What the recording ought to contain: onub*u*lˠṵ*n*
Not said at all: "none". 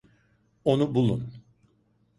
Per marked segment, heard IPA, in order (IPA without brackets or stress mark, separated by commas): u, n